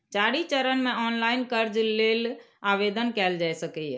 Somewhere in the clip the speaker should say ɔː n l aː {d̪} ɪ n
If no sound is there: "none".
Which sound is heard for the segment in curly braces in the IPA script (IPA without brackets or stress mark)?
none